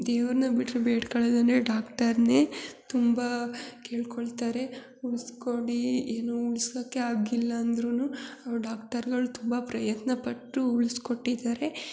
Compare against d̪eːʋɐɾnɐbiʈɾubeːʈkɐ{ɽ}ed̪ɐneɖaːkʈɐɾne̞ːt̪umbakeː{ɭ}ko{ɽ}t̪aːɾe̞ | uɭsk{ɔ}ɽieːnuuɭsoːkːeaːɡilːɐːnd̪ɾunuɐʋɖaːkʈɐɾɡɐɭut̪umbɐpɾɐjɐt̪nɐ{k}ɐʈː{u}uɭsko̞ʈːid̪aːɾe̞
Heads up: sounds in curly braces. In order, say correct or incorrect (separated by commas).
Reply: incorrect, correct, incorrect, incorrect, incorrect, correct